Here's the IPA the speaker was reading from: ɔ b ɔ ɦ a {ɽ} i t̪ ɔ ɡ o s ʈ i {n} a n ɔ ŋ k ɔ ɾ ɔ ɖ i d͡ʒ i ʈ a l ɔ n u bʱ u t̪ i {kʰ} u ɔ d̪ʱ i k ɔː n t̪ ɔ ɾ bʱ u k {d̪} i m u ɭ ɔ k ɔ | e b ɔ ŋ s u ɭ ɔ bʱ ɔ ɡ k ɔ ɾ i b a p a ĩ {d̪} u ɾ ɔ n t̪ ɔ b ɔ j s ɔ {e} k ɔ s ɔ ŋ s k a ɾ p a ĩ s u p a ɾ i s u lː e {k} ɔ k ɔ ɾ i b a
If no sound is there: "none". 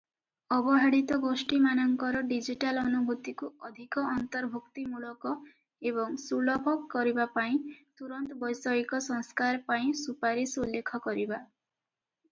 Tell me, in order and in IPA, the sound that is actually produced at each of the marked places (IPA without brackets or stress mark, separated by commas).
ɽ, m, k, t̪, t̪, i, kʰ